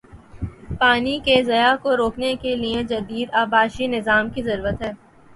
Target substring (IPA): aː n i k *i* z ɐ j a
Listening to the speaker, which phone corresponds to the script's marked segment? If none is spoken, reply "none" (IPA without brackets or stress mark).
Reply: e